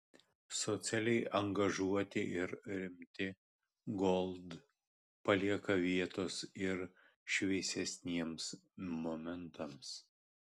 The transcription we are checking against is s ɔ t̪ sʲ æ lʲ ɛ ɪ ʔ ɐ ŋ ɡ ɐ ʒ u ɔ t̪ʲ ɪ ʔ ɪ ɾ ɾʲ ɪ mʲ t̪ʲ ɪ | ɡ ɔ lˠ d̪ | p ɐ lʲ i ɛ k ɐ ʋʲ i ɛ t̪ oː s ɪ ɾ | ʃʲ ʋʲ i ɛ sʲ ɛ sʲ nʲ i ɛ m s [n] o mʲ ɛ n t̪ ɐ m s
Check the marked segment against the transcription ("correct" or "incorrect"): incorrect